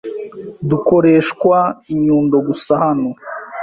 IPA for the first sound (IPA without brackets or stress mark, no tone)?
d